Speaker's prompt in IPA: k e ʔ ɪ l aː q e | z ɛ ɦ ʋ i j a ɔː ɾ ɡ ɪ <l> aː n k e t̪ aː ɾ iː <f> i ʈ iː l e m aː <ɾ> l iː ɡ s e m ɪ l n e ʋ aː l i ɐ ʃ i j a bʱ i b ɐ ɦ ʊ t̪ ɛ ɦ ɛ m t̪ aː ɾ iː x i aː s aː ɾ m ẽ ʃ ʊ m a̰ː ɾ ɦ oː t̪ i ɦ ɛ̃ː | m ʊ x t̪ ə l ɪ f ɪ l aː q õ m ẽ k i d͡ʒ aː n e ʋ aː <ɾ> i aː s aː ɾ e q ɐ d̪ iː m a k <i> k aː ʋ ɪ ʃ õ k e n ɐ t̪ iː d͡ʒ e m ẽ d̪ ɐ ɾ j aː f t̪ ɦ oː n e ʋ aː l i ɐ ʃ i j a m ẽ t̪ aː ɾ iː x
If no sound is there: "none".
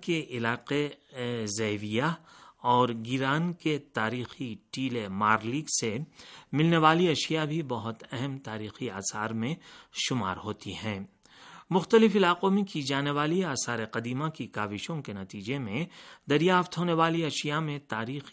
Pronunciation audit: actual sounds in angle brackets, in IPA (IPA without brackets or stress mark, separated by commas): ɾ, x, ɾ, l, i